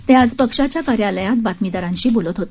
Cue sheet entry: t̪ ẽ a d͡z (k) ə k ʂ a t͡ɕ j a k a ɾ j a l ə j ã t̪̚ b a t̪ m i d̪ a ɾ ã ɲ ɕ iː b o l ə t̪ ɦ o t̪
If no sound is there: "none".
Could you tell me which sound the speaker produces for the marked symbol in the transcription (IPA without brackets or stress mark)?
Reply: p